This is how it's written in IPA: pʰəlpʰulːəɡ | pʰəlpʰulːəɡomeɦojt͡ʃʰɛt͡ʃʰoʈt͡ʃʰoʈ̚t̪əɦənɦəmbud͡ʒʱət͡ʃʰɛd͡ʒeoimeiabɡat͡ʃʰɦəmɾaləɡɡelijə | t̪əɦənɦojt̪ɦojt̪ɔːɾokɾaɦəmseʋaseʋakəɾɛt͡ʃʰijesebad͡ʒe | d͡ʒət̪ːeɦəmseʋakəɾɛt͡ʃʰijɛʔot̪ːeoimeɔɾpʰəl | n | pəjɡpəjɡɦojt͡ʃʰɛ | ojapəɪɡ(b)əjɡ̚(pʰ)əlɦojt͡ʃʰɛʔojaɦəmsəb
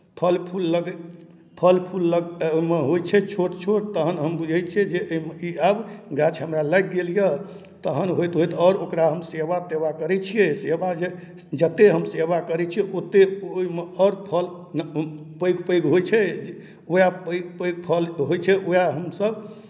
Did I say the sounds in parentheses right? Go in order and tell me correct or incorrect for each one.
incorrect: p, correct

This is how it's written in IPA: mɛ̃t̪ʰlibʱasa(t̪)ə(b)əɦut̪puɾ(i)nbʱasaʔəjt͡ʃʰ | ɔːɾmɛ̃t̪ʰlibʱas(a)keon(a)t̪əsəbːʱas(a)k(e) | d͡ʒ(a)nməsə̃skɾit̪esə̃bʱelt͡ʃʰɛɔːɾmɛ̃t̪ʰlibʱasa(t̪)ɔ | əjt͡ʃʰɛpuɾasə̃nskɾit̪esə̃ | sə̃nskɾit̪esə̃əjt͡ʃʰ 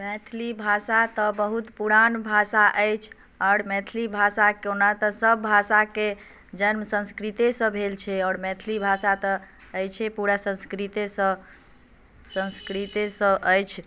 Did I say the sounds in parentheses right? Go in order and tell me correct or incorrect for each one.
correct, correct, incorrect: a, correct, correct, correct, correct, incorrect: ə, correct

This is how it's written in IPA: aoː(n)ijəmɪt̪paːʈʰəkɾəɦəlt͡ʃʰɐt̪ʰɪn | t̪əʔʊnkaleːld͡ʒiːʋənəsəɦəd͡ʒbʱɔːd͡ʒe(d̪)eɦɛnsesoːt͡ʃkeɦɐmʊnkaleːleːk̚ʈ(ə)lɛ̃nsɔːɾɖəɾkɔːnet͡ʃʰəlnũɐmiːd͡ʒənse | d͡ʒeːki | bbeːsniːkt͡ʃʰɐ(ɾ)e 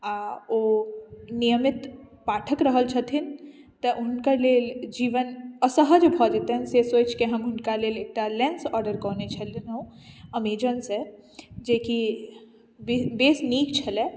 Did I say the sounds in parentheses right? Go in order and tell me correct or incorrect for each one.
correct, incorrect: t̪, incorrect: a, incorrect: l

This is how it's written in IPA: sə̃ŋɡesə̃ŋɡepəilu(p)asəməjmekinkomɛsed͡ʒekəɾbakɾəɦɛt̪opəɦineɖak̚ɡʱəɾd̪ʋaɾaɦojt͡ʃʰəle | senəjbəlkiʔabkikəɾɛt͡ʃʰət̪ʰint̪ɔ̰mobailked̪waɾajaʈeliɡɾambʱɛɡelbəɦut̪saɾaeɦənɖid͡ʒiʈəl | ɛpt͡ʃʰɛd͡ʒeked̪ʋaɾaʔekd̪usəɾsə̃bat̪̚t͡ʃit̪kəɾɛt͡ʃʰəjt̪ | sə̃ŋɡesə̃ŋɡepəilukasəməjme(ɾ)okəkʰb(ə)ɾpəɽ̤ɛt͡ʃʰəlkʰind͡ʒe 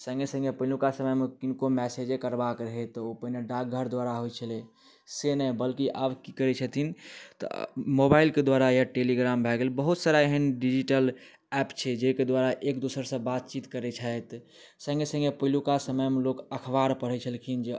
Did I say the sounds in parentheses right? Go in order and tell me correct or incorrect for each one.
incorrect: k, incorrect: l, incorrect: a

